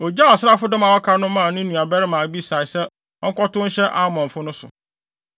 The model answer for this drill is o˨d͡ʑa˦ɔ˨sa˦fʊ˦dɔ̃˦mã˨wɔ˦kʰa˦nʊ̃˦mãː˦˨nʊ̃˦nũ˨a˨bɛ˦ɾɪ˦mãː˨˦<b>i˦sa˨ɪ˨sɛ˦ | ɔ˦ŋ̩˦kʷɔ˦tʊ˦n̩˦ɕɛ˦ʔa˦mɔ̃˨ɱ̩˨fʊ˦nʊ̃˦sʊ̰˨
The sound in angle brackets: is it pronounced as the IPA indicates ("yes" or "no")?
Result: yes